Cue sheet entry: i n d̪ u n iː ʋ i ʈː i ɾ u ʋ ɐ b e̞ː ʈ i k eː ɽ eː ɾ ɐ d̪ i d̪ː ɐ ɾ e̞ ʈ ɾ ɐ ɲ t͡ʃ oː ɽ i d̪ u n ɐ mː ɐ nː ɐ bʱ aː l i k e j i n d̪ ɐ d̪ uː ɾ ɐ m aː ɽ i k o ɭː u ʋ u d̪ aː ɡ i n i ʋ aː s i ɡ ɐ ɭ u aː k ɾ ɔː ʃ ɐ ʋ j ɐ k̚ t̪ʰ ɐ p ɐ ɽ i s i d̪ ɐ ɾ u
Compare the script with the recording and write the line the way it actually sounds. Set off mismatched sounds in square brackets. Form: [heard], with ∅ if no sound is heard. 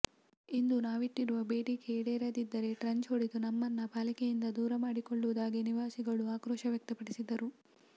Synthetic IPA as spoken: i n d̪ u n [aː] ʋ i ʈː i ɾ u ʋ ɐ b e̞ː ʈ i k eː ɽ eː ɾ ɐ d̪ i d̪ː ɐ ɾ e̞ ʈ ɾ ɐ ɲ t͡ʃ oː ɽ i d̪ u n ɐ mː ɐ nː ɐ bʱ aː l i k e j i n d̪ ɐ d̪ uː ɾ ɐ m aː ɽ i k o ɭː u ʋ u d̪ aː ɡ i n i ʋ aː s i ɡ ɐ ɭ u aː k ɾ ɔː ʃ ɐ ʋ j ɐ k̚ [t̪] ɐ p ɐ ɽ i s i d̪ ɐ ɾ u